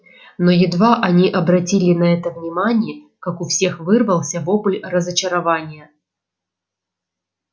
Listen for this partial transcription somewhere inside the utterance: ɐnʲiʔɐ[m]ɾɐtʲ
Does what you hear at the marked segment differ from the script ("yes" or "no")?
yes